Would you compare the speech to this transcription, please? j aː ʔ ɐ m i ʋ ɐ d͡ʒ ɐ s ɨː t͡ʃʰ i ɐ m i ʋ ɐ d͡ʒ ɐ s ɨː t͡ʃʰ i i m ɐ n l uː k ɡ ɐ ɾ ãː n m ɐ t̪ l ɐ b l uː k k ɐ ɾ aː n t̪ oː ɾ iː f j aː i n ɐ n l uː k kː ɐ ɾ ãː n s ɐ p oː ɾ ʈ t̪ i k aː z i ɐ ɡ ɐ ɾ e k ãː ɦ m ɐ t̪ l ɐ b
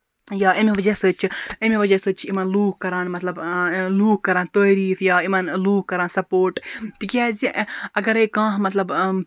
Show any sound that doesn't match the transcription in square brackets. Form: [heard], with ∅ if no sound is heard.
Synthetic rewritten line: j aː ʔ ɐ m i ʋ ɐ d͡ʒ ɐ s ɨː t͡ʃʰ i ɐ m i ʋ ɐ d͡ʒ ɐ s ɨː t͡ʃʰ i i m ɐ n l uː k [k] ɐ ɾ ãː n m ɐ t̪ l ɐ b l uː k k ɐ ɾ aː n t̪ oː ɾ iː f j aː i [m] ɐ n l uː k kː ɐ ɾ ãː n s ɐ p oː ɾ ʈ t̪ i k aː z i ɐ ɡ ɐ ɾ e k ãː ɦ m ɐ t̪ l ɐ b